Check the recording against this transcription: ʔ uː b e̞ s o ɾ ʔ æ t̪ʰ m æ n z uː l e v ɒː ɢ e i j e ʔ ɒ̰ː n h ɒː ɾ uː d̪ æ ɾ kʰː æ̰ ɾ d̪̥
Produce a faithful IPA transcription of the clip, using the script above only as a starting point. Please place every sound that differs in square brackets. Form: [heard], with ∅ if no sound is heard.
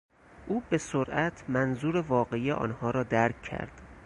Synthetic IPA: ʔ uː b e̞ s o ɾ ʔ æ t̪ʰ m æ n z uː [ɾ] e v ɒː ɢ e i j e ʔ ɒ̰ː n h ɒː ɾ [ɒː] d̪ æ ɾ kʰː æ̰ ɾ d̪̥